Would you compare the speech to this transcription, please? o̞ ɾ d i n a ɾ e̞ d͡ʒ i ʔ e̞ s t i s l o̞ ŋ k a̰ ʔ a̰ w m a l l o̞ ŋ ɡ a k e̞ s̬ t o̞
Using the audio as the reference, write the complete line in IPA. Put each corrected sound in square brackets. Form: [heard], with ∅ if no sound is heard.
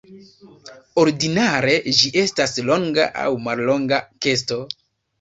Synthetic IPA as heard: o̞ ɾ d i n a ɾ e̞ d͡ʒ i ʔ e̞ s t [a] s l o̞ ŋ [ɡ] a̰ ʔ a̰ w m a l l o̞ ŋ ɡ a k e̞ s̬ t o̞